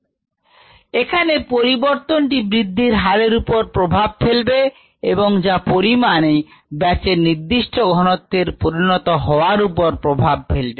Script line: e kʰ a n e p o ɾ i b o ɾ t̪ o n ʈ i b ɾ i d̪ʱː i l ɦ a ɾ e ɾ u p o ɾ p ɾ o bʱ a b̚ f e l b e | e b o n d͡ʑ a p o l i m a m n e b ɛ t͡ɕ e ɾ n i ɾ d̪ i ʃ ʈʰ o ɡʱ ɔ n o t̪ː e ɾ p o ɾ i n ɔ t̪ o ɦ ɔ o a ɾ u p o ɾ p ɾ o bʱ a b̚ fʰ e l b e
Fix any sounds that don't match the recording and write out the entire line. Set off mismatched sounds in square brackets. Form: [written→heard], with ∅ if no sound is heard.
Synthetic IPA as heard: e kʰ a n e p o ɾ i b o ɾ t̪ o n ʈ i b ɾ i d̪ʱː i [l→ɾ] ɦ a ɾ e ɾ u p o ɾ p ɾ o bʱ a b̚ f e l b e | e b o [n→ŋ] d͡ʑ a p o [l→ɾ] i m a [m→∅] n e b ɛ t͡ɕ e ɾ n i ɾ d̪ i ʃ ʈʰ o ɡʱ ɔ n o t̪ː e ɾ p o ɾ i n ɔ t̪ o ɦ ɔ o a ɾ u p o ɾ p ɾ o bʱ a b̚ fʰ e l b e